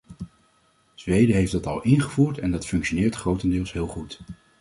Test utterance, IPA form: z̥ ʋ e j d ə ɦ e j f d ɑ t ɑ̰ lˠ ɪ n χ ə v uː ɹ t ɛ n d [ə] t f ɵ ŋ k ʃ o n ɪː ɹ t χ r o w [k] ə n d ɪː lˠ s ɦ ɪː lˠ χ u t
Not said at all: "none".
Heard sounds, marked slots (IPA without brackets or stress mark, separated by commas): ɑ, t